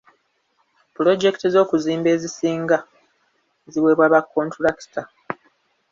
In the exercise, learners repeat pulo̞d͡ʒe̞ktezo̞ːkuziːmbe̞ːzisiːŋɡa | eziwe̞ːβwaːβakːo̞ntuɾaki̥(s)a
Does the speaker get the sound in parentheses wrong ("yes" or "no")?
yes